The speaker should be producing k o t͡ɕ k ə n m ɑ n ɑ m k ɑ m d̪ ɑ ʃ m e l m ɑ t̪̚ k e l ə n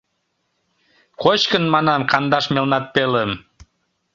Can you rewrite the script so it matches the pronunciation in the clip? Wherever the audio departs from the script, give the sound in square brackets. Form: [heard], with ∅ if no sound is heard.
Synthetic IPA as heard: k o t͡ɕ k ə n m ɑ n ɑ m k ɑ [n] d̪ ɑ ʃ m e l [n] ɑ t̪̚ [p] e l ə [m]